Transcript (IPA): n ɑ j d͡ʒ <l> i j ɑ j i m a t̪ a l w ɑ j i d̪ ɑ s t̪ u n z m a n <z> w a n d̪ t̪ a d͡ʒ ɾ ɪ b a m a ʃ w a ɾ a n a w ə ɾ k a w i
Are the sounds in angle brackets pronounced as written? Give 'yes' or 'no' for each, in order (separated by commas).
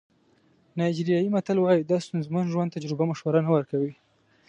no, no